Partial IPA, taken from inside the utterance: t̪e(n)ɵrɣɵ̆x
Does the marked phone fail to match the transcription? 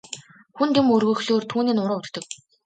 yes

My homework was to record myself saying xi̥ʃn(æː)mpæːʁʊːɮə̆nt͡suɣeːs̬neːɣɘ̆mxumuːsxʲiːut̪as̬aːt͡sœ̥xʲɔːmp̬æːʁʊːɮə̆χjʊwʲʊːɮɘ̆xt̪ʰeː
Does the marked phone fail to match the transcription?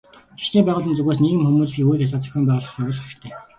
yes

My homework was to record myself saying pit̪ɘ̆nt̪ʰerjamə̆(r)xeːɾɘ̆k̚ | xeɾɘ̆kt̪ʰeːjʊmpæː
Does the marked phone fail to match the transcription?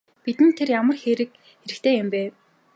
no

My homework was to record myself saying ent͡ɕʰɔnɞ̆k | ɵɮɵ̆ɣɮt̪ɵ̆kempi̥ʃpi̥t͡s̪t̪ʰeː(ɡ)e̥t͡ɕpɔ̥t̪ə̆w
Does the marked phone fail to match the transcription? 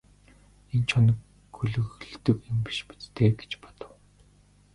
no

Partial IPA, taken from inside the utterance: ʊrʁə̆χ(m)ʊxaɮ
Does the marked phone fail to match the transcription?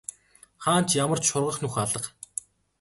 yes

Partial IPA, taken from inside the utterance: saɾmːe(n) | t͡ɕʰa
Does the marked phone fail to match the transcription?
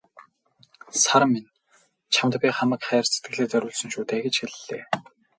no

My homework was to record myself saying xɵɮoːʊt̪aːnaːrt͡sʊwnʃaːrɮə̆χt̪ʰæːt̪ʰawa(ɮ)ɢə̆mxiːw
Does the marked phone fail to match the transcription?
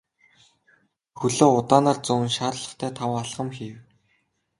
no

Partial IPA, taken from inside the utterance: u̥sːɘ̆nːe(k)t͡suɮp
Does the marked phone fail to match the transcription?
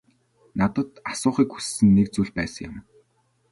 no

